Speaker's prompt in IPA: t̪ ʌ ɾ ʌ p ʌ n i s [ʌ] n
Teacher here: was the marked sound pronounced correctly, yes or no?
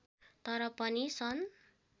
yes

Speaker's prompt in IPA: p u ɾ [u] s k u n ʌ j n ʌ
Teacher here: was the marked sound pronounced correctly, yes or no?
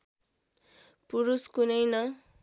yes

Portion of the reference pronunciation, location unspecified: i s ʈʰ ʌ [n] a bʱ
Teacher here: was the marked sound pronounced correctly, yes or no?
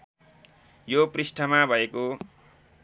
no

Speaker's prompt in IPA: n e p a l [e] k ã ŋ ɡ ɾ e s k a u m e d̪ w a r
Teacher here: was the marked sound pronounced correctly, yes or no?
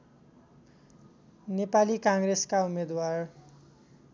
no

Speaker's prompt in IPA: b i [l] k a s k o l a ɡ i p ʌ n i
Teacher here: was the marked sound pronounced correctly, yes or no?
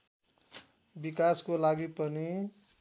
no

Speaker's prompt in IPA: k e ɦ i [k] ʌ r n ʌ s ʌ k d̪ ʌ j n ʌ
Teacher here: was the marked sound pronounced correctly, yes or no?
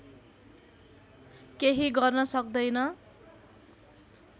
no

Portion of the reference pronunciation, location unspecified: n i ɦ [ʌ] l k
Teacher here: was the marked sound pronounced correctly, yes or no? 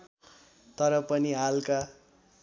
no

